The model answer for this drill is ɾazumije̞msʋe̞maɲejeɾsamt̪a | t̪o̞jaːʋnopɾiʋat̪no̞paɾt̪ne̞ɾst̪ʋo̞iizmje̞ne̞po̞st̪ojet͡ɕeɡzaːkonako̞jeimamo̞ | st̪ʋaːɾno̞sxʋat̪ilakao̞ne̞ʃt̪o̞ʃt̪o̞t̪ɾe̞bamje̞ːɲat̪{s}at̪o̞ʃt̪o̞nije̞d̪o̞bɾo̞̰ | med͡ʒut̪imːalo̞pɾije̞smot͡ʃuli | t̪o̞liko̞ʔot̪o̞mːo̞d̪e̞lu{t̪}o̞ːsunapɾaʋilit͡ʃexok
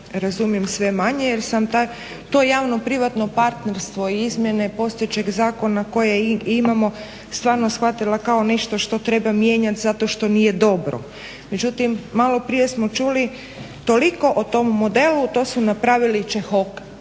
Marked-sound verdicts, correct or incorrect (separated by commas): incorrect, correct